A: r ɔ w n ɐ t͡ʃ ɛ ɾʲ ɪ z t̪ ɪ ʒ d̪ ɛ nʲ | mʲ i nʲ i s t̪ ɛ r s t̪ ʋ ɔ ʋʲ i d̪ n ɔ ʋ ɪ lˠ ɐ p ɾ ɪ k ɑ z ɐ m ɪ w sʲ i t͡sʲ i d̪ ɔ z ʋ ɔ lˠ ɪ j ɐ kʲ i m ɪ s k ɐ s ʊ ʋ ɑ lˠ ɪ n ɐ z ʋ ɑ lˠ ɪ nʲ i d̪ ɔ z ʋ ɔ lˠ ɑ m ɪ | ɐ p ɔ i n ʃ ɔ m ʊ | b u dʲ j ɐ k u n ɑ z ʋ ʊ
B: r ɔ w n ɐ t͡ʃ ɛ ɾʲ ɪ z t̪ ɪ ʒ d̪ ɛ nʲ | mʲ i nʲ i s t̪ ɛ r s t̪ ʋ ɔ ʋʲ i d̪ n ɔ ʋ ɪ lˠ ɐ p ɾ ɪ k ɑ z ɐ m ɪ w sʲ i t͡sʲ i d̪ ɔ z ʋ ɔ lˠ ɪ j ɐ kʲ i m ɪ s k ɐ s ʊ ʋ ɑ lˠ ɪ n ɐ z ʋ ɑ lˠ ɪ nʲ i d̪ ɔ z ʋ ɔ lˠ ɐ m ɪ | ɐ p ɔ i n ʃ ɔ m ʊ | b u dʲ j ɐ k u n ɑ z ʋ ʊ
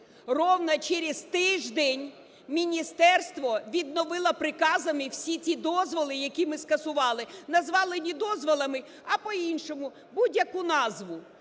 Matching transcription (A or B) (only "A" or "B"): B